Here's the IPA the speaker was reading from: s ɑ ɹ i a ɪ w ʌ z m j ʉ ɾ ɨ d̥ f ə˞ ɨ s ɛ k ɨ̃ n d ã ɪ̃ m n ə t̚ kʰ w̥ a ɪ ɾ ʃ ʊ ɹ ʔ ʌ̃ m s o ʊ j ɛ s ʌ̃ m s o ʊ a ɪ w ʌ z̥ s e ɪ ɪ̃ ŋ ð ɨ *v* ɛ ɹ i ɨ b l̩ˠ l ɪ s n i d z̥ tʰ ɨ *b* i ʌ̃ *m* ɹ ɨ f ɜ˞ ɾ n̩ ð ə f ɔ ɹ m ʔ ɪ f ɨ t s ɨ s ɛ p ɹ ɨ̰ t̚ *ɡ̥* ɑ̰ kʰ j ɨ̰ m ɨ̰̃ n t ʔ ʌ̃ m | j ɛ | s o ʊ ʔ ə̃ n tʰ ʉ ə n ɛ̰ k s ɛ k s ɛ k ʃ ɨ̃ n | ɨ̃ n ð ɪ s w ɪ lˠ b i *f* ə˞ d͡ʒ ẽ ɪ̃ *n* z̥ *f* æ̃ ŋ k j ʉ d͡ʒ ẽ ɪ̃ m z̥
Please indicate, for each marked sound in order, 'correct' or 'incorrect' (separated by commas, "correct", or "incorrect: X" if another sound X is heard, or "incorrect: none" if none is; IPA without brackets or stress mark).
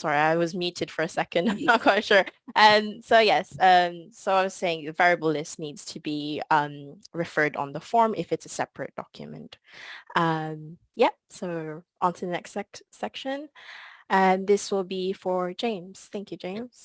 correct, correct, correct, incorrect: d̥, correct, incorrect: m, incorrect: θ